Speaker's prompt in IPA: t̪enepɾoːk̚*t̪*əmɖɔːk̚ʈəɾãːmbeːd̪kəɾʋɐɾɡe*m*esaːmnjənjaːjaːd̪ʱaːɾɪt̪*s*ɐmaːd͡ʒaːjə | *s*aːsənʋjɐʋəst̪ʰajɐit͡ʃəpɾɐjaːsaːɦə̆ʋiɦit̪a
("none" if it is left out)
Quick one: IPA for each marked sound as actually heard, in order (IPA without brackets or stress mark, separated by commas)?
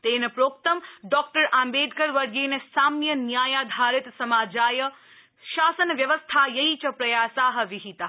t̪, n, s, ʃ